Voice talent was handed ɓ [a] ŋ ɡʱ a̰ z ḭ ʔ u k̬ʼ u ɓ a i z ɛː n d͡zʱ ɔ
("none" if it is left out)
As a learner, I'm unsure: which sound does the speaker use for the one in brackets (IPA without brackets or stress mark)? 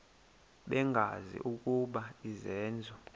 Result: ɛ